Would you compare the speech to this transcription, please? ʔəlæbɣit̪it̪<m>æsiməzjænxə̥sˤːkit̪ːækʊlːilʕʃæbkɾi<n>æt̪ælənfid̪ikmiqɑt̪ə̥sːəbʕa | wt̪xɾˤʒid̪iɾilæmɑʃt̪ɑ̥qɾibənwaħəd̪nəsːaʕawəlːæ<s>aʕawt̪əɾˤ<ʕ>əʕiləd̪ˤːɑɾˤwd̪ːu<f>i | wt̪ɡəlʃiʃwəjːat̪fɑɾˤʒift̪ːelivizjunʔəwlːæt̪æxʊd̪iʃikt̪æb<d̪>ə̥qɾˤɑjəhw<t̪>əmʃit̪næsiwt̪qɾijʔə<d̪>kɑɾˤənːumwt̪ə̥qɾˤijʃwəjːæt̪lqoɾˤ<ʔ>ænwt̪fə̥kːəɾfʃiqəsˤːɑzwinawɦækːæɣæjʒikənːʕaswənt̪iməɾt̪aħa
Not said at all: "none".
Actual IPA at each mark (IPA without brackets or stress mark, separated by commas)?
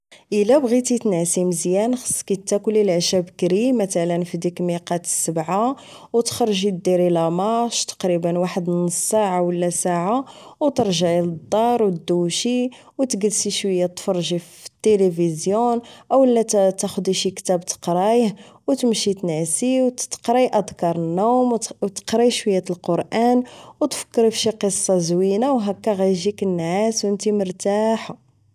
n, m, s, ʒ, ʃ, t̪, t̪, d̪, ʔ